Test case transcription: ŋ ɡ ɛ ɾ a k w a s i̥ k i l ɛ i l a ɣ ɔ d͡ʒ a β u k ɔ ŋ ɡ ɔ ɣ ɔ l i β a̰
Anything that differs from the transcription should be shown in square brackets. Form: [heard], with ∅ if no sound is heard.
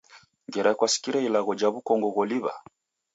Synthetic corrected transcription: ŋ ɡ ɛ ɾ a k w a s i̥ k i [ɾ] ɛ i l a ɣ ɔ d͡ʒ a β u k ɔ ŋ ɡ ɔ ɣ ɔ l i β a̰